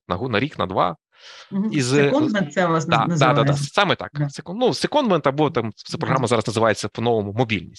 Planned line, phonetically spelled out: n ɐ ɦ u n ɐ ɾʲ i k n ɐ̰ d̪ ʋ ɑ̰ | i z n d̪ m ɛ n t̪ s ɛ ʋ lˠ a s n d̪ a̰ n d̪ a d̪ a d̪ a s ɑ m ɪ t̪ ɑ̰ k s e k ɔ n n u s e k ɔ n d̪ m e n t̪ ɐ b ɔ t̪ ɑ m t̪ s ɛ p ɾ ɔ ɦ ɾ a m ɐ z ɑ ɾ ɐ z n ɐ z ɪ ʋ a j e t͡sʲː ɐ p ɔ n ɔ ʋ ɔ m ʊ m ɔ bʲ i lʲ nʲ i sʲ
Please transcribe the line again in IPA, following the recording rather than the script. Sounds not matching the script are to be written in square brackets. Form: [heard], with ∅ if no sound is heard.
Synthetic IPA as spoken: n ɐ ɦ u n ɐ ɾʲ i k n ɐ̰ d̪ ʋ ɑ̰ | i z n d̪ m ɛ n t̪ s ɛ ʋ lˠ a s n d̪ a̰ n d̪ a d̪ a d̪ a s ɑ m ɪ t̪ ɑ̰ k s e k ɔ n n u s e k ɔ n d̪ m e n t̪ ɐ b ɔ t̪ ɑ m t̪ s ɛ p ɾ ɔ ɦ ɾ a m ɐ z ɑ ɾ ɐ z n ɐ z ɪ ʋ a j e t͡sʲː ɐ p ɔ n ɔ ʋ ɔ m ʊ m ɔ bʲ i lʲ nʲ i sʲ